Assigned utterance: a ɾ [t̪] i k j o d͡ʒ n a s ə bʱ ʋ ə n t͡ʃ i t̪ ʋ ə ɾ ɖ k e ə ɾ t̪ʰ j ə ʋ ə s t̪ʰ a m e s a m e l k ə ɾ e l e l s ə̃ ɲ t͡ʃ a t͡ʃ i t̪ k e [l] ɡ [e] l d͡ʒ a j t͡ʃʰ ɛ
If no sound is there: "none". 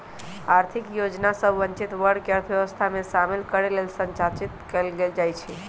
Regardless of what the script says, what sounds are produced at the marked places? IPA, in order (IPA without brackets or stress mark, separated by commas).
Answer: t̪ʰ, l, e